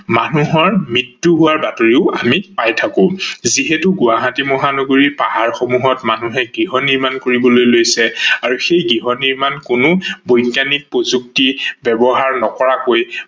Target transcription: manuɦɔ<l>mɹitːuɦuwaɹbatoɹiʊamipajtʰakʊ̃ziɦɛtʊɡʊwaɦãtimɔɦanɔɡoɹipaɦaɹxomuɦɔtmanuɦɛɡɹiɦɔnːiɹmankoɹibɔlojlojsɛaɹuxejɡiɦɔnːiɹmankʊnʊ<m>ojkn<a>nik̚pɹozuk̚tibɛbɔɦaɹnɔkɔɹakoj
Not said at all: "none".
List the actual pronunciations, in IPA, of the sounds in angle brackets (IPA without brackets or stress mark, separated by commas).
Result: ɹ, b, a